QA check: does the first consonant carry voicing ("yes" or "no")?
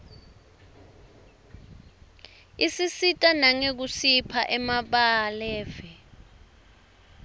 no